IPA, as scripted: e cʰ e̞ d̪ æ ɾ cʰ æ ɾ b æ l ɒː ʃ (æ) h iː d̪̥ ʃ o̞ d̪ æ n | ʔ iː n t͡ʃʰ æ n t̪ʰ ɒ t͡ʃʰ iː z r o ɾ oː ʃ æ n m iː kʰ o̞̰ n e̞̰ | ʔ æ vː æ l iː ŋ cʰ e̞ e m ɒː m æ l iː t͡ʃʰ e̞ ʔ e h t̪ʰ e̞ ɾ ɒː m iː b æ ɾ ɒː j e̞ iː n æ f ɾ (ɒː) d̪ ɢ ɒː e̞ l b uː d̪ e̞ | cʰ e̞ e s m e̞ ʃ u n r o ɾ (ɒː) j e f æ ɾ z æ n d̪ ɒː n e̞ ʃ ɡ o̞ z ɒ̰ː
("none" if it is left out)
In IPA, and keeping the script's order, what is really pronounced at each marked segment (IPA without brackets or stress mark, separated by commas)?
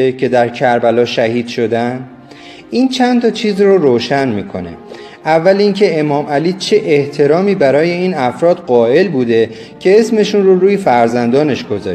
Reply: æ, ɒː, uː